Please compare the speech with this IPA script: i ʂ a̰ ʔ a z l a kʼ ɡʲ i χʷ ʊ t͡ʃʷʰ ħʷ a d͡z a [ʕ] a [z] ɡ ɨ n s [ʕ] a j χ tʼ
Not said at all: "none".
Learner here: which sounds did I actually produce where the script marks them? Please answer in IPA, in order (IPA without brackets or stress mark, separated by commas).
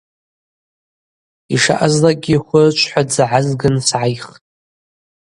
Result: ʕ, z, ʕ